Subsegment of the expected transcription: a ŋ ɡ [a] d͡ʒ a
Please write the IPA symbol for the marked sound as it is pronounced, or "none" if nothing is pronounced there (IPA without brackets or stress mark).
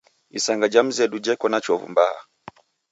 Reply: a